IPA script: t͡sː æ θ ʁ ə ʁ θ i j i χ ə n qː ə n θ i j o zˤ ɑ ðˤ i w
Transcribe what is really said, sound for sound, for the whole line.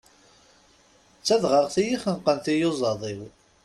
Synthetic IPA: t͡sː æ ð ʁ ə ʁ θ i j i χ ə n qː ə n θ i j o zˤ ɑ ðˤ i w

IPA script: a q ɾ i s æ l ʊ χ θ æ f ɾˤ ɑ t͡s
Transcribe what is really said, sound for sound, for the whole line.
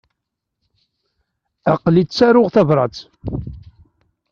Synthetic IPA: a q l i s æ ɾ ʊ ʁ θ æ v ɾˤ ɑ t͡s

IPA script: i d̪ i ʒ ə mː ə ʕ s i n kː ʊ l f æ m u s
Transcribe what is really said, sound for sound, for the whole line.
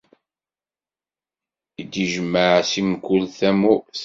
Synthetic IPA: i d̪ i ʒ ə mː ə ʕ s i m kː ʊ l θ æ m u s

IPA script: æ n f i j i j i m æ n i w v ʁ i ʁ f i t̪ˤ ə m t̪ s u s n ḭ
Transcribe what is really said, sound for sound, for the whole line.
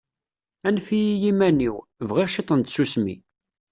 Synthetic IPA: æ n f i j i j i m æ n i w v ʁ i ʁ ʃ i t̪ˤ ə n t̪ s u s m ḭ

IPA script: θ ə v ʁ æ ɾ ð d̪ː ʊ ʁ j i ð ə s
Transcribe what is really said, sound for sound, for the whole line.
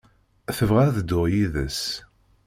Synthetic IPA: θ ə v ʁ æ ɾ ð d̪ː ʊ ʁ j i ð ə s

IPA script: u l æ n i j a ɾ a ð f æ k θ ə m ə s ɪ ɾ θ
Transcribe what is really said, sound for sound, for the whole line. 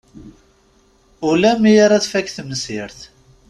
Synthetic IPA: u l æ m i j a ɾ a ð f æ k θ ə m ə s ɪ ɾ θ

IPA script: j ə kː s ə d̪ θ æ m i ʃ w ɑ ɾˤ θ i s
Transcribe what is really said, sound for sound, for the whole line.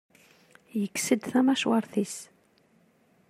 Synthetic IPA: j ə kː s ə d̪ θ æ m æ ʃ w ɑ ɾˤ θ i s

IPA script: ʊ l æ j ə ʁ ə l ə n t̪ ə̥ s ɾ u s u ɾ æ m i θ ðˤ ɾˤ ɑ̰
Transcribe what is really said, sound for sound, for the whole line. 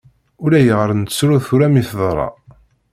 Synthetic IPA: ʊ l æ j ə ʁ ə ɾ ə n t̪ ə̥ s ɾ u θ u ɾ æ m i θ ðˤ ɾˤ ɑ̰

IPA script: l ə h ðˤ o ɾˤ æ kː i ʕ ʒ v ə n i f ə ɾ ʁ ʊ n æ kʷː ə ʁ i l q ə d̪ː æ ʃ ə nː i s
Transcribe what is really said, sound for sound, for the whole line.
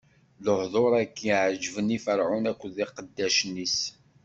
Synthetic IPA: l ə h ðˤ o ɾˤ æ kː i ʕ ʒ v ə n i f ə ɾ ʕ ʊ n æ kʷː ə ð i q ə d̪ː æ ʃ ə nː i s

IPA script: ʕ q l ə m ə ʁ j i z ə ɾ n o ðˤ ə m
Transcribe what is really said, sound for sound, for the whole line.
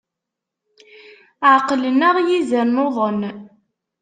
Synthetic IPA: ʕ q l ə n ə ʁ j i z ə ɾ n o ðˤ ə n

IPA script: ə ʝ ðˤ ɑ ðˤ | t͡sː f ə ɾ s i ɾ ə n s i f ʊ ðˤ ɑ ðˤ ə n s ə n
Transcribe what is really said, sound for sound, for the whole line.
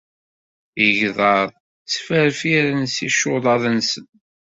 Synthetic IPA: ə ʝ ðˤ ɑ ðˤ | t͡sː f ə ɾ f i ɾ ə n s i ʃ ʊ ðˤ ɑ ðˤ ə n s ə n

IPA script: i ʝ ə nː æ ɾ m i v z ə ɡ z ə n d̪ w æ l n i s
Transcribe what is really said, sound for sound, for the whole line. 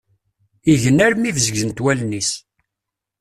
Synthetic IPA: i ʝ ə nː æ ɾ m i v z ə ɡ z ə n t̪ w æ l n i s

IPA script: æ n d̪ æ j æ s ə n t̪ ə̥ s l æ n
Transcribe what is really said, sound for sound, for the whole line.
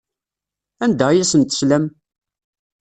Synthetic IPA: æ n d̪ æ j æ s ə n t̪ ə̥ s l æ m

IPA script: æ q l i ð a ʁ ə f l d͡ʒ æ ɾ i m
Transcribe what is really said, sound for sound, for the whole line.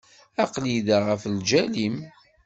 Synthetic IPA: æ q l i ð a ʁ ə f l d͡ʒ æ l i m

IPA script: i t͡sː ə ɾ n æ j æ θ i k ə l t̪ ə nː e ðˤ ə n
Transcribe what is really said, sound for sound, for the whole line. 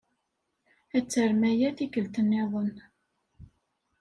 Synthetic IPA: æ t͡sː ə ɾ m æ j æ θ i k ə l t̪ ə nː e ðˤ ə n

